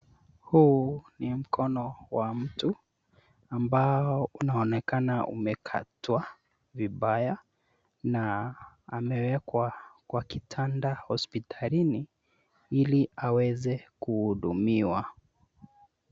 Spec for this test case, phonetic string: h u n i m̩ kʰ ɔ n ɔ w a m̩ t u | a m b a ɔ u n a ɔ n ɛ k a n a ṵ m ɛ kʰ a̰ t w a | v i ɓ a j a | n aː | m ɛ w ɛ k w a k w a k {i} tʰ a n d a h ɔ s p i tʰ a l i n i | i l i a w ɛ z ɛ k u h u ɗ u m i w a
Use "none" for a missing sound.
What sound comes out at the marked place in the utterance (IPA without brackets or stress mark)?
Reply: i